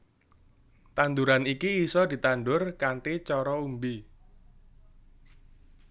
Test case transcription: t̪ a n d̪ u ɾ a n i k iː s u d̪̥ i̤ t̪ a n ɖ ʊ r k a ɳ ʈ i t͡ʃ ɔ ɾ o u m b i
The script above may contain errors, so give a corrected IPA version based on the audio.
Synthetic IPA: t̪ a n d̪ u ɾ a n i k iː s ɔ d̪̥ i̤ t̪ a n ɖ ʊ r k a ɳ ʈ i t͡ʃ ɔ ɾ ɔ u m b i